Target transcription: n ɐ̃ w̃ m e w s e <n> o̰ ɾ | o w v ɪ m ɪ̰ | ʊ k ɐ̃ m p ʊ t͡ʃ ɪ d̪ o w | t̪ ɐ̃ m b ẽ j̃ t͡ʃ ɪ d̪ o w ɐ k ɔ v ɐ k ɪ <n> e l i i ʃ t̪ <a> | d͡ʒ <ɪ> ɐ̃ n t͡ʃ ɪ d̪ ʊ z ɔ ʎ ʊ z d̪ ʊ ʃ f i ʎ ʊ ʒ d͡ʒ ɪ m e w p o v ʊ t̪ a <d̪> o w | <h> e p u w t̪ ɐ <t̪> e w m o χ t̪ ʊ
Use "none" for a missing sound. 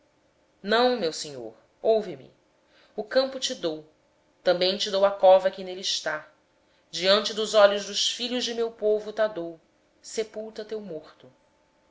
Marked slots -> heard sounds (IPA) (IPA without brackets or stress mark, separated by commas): ɲ, n, a, i, d̪, s, t̪